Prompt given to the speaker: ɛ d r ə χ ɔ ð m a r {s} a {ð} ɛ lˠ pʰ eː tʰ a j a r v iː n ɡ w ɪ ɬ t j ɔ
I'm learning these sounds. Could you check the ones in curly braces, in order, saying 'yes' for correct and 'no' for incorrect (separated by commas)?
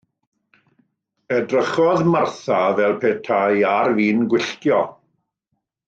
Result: no, no